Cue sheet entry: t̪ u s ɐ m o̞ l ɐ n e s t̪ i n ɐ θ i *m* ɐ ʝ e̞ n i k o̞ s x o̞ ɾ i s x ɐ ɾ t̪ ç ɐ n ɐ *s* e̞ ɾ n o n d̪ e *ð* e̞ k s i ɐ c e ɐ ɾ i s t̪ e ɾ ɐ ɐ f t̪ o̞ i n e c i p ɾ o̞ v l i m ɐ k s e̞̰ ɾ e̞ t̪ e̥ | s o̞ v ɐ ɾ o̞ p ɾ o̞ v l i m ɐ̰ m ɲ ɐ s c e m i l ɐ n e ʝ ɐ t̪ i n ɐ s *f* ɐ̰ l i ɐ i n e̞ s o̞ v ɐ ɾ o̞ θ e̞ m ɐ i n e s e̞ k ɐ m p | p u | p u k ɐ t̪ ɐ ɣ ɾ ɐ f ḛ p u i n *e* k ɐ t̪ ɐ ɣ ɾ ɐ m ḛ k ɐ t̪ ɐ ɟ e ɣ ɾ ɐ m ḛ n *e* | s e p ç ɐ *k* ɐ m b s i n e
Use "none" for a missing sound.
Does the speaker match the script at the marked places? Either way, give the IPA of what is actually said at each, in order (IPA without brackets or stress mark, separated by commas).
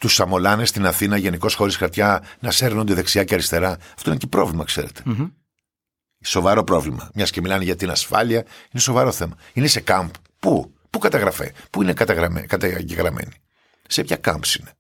n, s, ð, f, e, i, k